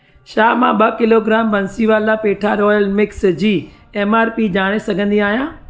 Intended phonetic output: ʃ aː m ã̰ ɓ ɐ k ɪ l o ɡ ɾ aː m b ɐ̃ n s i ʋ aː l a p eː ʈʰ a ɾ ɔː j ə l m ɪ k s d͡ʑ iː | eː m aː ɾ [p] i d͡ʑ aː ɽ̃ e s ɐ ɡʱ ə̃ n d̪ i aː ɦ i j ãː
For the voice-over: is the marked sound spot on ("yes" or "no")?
yes